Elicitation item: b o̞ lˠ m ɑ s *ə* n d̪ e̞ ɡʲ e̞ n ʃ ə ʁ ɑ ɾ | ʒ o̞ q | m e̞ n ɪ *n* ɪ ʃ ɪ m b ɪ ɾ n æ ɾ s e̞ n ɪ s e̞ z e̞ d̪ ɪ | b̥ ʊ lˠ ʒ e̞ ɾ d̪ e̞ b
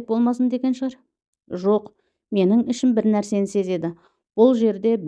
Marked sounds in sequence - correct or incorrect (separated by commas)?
correct, incorrect